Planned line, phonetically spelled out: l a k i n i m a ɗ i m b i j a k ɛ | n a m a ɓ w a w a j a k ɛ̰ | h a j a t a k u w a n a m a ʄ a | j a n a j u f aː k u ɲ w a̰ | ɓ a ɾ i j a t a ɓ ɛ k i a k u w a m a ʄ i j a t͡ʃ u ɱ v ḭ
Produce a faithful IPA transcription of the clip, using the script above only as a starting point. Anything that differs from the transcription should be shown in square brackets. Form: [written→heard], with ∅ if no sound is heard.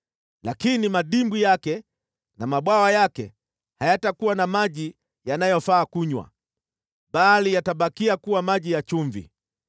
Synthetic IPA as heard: l a k i n i m a ɗ i m b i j a k ɛ | n a m a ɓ w a w a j a k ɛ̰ | h a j a t a k u w a n a m a ʄ [a→i] | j a n a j [u→ɔ] f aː k u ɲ w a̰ | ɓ a [ɾ→l] i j a t a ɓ [ɛ→a] k i a k u w a m a ʄ i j a t͡ʃ u ɱ v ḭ